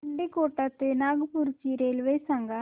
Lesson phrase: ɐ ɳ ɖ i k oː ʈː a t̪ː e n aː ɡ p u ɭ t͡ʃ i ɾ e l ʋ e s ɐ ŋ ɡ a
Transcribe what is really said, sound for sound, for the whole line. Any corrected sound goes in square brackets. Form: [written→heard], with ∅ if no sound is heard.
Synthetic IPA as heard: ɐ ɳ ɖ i k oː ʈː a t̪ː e n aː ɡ p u [ɭ→ɾ] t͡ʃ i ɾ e l ʋ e s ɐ ŋ ɡ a